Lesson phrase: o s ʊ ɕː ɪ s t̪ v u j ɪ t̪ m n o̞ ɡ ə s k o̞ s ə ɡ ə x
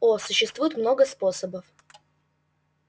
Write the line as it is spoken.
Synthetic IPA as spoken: o s ʊ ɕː ɪ s t̪ v u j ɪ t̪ m n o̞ ɡ ə s p o̞ s ə b ə f